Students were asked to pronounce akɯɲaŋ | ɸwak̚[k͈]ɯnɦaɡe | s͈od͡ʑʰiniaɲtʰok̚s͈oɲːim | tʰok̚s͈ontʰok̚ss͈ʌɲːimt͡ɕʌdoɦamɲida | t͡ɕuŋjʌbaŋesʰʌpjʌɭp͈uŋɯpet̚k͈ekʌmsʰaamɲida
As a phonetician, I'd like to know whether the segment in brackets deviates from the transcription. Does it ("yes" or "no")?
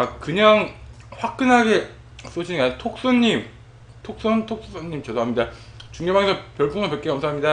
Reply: no